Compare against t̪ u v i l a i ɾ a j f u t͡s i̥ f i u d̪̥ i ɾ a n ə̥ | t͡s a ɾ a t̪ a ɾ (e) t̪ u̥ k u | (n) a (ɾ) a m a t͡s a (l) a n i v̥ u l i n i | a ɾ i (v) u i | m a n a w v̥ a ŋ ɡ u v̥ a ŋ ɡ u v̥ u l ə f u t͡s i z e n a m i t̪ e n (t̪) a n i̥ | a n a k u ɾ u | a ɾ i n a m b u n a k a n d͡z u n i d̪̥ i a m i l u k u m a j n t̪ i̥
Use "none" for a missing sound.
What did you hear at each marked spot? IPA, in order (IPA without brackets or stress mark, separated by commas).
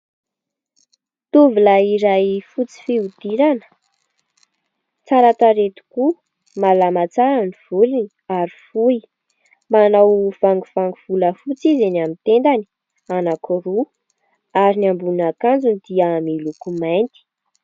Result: e, m, l, ɾ, f, d̪